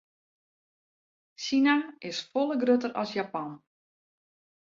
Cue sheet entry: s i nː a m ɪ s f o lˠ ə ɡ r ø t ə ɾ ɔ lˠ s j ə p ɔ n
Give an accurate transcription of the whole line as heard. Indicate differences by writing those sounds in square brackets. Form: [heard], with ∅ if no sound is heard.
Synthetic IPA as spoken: s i [n] a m ɪ s f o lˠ ə ɡ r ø t ə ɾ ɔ [∅] s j [a] p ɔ n